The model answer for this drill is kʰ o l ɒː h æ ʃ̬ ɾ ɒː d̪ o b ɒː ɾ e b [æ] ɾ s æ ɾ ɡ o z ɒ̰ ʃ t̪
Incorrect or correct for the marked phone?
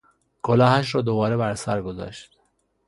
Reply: correct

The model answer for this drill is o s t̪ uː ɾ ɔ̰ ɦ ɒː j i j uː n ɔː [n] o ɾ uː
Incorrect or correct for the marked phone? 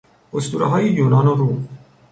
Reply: correct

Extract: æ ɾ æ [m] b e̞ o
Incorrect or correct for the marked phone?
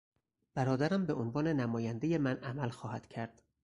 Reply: correct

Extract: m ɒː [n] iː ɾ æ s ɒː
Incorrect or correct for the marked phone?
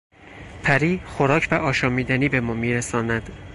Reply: incorrect: m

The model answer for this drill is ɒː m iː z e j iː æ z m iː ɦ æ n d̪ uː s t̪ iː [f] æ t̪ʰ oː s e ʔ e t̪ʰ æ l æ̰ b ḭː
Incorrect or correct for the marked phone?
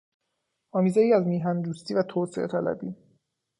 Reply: incorrect: v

